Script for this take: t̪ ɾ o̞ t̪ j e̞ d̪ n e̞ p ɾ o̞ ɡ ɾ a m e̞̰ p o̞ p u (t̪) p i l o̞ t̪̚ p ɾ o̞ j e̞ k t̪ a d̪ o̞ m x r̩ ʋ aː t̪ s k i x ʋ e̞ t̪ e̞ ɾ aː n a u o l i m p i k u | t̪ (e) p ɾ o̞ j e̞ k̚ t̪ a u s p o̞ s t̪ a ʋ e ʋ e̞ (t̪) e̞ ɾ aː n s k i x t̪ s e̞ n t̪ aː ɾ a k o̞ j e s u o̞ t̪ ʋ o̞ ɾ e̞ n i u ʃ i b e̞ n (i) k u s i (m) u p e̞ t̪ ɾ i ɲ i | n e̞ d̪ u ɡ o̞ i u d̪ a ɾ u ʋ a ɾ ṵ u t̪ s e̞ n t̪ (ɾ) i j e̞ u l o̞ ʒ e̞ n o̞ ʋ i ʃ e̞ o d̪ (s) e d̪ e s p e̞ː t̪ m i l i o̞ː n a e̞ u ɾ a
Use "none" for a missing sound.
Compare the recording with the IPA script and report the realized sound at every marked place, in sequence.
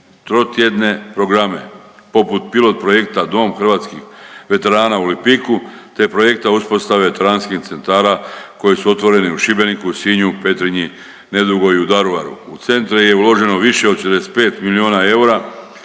t̪, e, t̪, i, ɲ, ɾ, ʃ

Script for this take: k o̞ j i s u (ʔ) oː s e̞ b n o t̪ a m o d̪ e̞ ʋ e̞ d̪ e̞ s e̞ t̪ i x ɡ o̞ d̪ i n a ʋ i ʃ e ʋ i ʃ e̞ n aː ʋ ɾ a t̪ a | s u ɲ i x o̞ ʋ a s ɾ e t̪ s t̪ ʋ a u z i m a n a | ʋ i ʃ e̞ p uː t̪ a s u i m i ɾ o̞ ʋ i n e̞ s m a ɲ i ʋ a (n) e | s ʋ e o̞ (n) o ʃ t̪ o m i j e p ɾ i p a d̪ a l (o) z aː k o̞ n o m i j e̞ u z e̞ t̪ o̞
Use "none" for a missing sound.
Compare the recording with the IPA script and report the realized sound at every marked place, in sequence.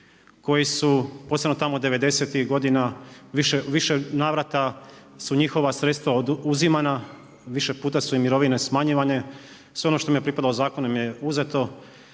p, ɲ, n, o

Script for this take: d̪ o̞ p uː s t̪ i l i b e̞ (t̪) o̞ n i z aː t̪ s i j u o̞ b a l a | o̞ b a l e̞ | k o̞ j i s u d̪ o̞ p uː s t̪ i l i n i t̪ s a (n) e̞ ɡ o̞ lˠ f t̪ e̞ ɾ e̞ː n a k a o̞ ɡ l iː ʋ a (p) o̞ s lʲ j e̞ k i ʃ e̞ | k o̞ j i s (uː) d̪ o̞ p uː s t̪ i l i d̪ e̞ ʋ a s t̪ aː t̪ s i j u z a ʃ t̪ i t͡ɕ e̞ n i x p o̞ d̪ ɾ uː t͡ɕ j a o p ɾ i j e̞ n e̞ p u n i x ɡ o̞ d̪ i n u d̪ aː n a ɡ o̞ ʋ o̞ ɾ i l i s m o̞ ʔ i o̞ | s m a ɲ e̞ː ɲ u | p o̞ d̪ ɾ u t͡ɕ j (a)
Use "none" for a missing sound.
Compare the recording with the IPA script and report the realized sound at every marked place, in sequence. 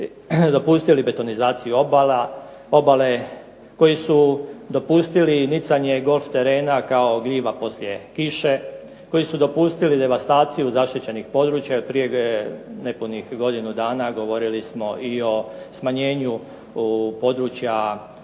t̪, ɲ, p, u, a

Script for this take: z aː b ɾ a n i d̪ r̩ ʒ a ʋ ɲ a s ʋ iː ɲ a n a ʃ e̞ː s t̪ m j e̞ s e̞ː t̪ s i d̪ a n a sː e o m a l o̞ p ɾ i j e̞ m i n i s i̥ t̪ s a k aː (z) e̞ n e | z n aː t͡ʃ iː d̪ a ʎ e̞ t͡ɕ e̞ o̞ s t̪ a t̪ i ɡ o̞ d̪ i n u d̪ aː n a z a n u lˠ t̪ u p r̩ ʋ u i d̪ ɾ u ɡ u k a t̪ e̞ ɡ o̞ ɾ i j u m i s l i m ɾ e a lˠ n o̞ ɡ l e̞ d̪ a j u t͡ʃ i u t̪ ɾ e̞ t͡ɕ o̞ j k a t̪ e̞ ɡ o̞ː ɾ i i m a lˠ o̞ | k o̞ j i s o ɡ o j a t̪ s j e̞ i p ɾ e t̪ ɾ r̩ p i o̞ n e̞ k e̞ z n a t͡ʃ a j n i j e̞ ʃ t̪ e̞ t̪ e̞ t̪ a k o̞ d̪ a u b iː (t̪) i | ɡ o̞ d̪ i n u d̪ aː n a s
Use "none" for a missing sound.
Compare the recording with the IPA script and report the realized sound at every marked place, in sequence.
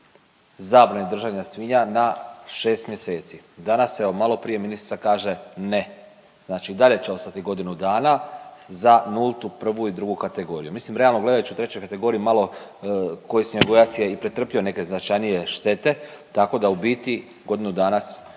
ʒ, t̪

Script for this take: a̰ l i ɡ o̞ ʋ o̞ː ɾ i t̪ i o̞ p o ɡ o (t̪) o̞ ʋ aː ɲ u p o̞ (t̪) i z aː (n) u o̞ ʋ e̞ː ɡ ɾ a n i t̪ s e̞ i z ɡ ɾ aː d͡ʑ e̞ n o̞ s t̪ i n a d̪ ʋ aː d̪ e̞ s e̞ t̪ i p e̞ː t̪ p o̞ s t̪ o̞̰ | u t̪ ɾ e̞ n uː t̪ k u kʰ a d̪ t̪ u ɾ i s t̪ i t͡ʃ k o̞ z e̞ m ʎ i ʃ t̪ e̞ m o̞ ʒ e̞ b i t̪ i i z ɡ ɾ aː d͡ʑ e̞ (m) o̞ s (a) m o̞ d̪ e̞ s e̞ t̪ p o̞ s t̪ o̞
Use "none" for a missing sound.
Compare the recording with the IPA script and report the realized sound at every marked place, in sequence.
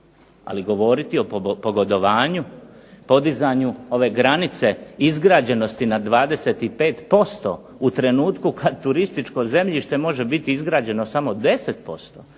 d̪, d̪, ɲ, n, a

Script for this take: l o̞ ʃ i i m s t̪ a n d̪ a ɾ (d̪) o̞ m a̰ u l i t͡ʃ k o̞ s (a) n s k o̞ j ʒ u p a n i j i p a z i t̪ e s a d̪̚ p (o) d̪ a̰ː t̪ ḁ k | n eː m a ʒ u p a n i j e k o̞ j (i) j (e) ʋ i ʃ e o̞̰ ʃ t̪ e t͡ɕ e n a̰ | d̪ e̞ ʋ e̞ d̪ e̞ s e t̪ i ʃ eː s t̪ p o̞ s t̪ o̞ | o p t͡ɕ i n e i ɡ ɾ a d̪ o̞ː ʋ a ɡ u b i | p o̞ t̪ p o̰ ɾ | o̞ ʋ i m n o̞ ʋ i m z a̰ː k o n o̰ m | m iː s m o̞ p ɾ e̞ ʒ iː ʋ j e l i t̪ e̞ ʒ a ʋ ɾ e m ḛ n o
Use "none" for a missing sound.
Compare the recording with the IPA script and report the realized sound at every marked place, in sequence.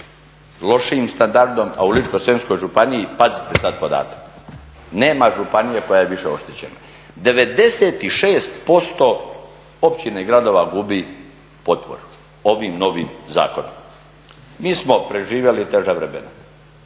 d̪, e, o, a, e

